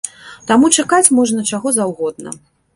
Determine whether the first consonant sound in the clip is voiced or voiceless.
voiceless